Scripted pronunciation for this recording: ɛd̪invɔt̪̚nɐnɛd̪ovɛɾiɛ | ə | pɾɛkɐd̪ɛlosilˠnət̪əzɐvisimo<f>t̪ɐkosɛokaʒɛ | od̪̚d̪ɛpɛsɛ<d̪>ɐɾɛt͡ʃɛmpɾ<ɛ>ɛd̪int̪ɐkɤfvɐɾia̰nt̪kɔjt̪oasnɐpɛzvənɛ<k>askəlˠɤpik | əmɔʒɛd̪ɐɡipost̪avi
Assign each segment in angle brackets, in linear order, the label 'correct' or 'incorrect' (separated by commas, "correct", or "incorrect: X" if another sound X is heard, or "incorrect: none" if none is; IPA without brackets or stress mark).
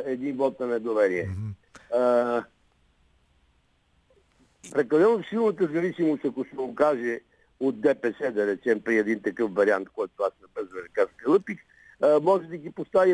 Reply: incorrect: s, correct, incorrect: i, correct